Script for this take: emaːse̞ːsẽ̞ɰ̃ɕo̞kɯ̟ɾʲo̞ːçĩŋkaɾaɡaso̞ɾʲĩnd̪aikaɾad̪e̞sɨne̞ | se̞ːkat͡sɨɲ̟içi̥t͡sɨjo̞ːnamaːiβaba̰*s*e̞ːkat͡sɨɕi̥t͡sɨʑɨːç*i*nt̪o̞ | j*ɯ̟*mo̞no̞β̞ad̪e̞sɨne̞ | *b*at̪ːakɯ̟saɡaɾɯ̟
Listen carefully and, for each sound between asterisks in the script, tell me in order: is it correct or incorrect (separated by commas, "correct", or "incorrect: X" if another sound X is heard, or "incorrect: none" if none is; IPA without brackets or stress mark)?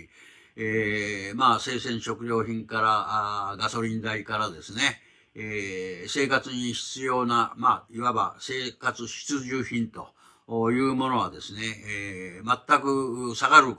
correct, incorrect: ĩ, incorrect: ɯ̟ː, incorrect: m